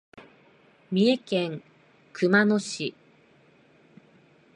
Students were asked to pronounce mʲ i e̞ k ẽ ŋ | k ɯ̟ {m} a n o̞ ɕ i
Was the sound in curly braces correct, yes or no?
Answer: yes